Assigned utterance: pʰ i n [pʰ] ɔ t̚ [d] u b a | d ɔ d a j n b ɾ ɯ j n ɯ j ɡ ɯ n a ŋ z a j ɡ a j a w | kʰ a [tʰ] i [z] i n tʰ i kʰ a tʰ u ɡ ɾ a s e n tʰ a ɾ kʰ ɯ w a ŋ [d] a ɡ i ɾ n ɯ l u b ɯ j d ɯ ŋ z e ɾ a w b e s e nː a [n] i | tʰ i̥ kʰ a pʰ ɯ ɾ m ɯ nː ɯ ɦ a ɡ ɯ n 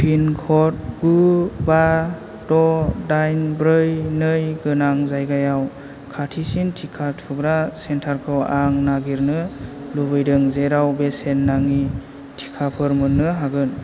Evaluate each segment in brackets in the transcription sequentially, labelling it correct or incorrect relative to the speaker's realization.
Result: incorrect: kʰ, incorrect: ɡ, correct, incorrect: s, incorrect: n, incorrect: ŋ

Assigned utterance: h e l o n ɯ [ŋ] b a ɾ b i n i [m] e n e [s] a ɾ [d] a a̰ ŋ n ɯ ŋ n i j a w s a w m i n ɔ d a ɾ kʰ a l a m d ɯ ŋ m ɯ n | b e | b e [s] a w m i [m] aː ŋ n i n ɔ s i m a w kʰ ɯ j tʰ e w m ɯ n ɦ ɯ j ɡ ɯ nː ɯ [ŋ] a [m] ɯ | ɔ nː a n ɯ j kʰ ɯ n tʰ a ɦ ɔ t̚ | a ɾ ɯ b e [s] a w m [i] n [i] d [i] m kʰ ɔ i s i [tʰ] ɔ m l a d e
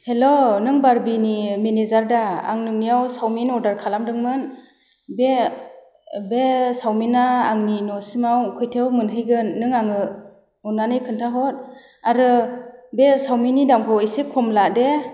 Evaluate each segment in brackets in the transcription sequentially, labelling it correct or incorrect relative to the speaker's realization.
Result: correct, correct, incorrect: z, correct, correct, incorrect: n, correct, incorrect: ŋ, correct, correct, correct, incorrect: a, incorrect: kʰ

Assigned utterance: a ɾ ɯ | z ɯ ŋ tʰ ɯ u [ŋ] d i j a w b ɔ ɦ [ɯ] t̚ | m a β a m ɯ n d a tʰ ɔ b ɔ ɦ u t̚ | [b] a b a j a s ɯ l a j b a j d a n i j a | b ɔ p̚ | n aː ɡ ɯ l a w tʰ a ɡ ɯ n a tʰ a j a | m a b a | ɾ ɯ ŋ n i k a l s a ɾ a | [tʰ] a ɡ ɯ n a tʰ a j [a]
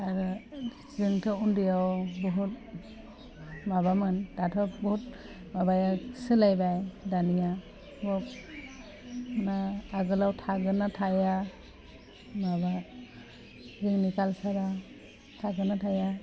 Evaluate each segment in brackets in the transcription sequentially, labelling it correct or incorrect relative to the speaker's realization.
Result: incorrect: n, incorrect: u, incorrect: m, correct, correct

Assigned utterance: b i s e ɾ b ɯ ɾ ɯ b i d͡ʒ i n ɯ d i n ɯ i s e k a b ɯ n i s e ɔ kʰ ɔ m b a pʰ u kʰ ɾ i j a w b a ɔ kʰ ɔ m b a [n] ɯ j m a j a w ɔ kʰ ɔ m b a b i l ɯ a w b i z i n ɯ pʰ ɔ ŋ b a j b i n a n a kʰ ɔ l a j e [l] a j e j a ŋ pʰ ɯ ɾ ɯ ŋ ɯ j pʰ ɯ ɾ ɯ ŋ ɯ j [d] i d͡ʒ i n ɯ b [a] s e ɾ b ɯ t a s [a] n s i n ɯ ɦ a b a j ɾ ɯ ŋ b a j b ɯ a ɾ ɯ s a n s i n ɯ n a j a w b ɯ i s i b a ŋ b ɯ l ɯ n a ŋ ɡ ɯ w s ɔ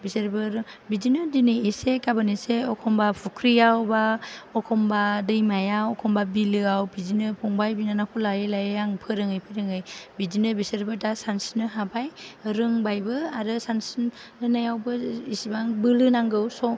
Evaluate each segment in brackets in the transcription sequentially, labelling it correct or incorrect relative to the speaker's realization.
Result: incorrect: d, correct, incorrect: b, incorrect: i, correct

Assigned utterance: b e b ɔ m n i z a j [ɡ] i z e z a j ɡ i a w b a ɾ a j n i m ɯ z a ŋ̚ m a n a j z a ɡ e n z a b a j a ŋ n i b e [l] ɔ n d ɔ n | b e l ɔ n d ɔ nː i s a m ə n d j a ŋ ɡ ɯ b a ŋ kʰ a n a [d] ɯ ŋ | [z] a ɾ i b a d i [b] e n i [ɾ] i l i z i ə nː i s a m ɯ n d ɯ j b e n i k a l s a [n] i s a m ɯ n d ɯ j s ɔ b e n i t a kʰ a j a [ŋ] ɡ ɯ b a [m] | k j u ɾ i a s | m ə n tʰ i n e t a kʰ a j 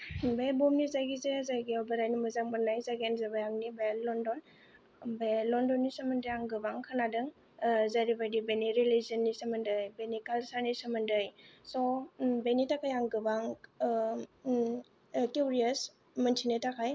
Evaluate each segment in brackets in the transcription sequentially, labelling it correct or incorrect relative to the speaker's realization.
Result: correct, correct, correct, correct, correct, correct, correct, correct, incorrect: ŋ

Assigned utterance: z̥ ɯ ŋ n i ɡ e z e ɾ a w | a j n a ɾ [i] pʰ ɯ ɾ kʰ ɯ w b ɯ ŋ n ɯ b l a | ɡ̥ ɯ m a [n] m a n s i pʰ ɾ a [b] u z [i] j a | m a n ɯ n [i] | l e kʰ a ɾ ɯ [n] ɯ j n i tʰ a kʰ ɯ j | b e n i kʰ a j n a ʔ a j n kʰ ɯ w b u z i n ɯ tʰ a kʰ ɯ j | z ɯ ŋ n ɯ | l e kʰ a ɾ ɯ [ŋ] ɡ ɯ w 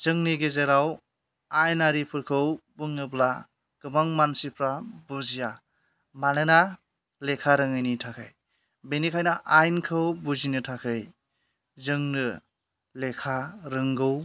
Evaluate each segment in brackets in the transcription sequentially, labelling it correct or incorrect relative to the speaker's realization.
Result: correct, incorrect: ŋ, correct, correct, incorrect: a, incorrect: ŋ, correct

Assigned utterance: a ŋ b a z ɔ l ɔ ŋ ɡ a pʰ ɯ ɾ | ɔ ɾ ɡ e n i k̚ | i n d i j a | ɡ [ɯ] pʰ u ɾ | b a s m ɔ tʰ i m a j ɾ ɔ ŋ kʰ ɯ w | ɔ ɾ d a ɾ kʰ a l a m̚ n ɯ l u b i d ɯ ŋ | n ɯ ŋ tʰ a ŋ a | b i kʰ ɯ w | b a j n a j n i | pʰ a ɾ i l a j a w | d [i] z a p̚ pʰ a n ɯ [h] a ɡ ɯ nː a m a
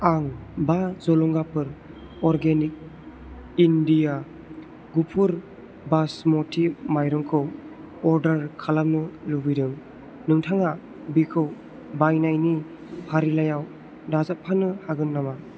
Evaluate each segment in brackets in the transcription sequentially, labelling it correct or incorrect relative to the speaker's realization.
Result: incorrect: u, incorrect: a, correct

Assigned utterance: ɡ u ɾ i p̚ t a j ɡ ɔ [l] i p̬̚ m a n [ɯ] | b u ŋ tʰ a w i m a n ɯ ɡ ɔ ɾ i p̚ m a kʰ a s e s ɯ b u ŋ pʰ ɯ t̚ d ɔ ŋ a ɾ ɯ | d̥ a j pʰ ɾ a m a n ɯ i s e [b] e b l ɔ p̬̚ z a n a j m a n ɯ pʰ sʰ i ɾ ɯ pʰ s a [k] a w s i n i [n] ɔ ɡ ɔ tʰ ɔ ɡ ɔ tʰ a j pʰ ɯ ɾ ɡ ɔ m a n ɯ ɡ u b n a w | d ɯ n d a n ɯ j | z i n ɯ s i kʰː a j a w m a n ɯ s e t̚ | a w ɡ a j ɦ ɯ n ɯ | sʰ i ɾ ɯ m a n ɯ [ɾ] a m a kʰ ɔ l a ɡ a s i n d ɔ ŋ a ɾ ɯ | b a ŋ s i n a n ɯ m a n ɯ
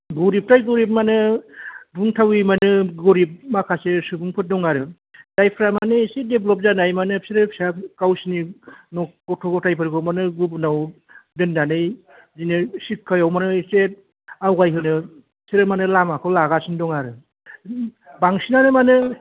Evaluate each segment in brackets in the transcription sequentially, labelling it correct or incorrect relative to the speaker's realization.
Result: incorrect: ɾ, correct, incorrect: d, correct, correct, incorrect: l

